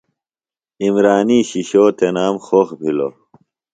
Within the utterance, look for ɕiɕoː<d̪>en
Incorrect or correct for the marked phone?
incorrect: t̪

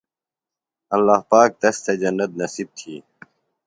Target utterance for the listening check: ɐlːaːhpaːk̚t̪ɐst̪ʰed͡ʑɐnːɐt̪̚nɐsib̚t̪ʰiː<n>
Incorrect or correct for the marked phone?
incorrect: none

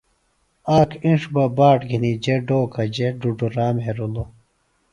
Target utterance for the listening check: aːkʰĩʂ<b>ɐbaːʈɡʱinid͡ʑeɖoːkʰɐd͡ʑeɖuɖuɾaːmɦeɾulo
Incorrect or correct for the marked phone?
correct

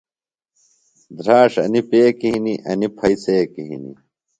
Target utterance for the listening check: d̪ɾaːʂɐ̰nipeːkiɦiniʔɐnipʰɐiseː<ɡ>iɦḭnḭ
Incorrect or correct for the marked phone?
incorrect: k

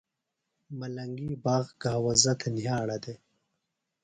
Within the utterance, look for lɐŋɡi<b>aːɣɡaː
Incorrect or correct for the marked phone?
correct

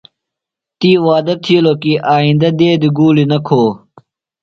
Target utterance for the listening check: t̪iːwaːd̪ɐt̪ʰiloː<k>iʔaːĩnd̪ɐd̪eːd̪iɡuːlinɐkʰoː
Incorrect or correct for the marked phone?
correct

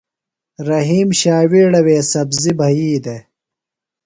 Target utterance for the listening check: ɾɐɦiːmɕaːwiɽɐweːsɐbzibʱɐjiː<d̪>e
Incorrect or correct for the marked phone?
correct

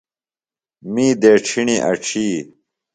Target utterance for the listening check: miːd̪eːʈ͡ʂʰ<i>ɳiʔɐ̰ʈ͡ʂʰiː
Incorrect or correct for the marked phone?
correct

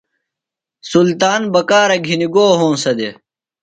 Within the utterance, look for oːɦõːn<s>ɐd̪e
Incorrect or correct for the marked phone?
correct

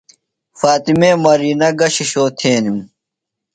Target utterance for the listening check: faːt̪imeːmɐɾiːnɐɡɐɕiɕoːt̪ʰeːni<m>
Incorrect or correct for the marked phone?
correct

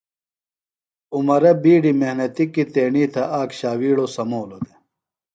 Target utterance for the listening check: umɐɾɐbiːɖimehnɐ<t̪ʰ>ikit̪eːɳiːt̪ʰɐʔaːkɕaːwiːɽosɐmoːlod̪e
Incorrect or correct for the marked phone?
incorrect: t̪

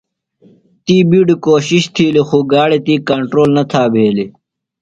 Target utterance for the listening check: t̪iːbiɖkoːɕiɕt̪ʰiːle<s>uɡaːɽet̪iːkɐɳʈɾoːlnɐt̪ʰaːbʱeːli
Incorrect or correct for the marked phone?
incorrect: x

